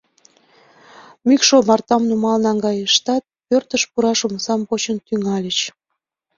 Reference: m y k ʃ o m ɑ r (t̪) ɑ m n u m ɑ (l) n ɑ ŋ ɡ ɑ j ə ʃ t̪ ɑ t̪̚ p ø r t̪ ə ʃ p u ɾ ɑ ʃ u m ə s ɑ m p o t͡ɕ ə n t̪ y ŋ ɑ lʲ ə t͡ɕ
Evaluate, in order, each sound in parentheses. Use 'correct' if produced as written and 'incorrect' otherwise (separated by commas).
correct, correct